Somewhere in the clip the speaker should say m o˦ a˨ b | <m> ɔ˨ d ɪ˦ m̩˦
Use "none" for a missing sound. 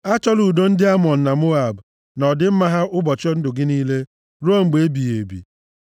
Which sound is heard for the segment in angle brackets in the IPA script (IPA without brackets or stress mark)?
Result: n